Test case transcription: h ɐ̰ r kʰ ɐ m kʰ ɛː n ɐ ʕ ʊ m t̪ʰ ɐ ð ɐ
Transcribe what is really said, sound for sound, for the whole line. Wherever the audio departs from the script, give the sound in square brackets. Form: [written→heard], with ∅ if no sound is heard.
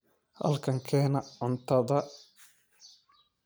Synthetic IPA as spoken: h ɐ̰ [r→l] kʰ ɐ [m→ŋ] kʰ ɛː n ɐ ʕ ʊ [m→n] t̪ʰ ɐ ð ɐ